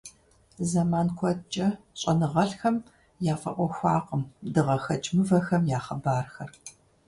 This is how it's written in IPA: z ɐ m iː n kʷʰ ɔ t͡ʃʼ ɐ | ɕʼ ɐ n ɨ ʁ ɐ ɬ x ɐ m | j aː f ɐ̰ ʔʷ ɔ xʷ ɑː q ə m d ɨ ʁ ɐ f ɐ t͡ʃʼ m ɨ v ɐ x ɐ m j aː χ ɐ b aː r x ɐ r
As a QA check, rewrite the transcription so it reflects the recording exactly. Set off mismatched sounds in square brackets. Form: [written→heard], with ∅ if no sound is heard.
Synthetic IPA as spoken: z ɐ m [iː→aː] n kʷʰ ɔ t͡ʃʼ ɐ | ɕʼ ɐ n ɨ ʁ ɐ ɬ x ɐ m | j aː f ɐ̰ ʔʷ ɔ xʷ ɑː q ə m d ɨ ʁ ɐ [f→x] ɐ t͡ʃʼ m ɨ v ɐ x ɐ m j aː χ ɐ b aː r x ɐ r